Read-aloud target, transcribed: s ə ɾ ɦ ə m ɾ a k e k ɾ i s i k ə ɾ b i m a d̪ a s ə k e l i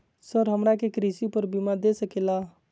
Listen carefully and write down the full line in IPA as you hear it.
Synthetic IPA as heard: s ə ɾ ɦ ə m ɾ a k e k ɾ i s i p ə ɾ b i m a d̪ e s ə k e l a